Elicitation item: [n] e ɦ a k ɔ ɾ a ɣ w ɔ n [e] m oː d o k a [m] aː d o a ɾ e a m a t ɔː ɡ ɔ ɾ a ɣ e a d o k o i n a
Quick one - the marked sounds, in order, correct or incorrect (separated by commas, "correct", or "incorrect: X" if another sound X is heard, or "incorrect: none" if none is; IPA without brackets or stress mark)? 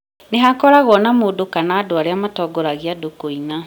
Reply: correct, incorrect: a, incorrect: n